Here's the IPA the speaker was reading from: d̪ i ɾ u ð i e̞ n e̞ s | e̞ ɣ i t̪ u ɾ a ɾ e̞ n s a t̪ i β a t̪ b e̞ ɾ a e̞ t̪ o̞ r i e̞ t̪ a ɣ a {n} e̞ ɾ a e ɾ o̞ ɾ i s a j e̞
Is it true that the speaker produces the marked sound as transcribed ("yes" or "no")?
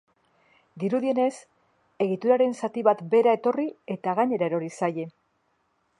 no